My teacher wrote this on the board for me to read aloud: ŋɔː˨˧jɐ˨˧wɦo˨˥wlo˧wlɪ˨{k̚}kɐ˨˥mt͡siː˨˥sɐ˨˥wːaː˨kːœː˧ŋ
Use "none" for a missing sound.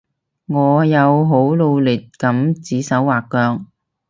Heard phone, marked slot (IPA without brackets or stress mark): t̚